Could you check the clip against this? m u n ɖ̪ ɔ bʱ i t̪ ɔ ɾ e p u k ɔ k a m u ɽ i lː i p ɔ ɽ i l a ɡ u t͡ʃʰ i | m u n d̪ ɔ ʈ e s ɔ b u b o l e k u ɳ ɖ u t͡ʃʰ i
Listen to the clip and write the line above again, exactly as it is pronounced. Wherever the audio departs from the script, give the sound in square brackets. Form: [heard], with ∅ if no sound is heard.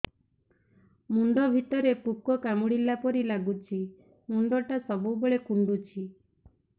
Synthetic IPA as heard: m u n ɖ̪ ɔ bʱ i t̪ ɔ ɾ e p u k ɔ k a m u ɽ i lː [a] p ɔ [ɾ] i l a ɡ u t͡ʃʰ i | m u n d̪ ɔ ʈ [a] s ɔ b u b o [ɭ] e k u ɳ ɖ u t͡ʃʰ i